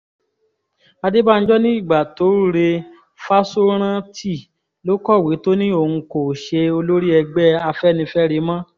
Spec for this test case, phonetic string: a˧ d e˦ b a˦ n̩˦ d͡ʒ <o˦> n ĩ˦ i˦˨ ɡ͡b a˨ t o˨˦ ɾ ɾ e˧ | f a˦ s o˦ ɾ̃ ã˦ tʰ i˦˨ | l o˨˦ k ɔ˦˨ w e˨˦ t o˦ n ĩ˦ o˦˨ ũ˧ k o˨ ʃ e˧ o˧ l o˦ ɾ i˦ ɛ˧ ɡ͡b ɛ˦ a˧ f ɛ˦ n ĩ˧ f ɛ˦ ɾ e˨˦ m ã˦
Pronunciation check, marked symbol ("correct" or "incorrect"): incorrect